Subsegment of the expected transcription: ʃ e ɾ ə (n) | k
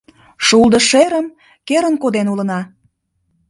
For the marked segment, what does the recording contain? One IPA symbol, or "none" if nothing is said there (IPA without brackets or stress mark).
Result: m